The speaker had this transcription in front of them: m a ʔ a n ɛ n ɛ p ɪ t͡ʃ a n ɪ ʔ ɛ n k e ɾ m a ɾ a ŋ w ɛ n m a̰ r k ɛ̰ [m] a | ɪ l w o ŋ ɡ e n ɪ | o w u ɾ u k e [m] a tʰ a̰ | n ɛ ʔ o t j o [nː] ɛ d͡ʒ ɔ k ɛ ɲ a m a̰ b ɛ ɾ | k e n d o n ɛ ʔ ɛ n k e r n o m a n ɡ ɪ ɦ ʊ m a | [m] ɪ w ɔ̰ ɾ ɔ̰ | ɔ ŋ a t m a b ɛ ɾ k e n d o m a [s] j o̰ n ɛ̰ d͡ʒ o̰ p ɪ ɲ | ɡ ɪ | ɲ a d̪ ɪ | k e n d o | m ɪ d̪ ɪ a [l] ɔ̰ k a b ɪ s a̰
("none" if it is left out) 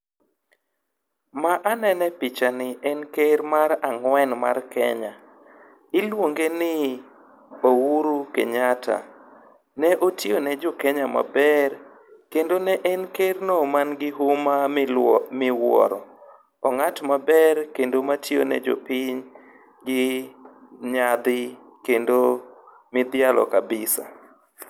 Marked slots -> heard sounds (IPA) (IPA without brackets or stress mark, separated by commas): ɲ, ɲ, n, m, t, l